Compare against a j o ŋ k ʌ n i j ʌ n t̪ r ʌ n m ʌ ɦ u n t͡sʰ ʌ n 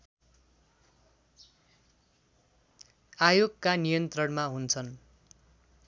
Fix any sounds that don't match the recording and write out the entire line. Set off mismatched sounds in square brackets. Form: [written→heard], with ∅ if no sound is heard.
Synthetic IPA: a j o [ŋ→ɡ] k [ʌ→a] n i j ʌ n t̪ r ʌ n m [ʌ→a] ɦ u n t͡sʰ ʌ n